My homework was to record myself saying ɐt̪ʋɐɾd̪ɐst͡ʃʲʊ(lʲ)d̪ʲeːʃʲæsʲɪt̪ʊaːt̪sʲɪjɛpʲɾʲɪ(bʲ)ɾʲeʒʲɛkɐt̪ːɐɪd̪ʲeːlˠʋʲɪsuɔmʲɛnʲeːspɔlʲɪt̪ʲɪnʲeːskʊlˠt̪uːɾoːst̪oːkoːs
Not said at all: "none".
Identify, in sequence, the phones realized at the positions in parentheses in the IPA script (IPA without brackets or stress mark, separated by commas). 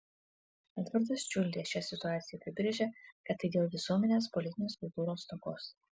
lʲ, bʲ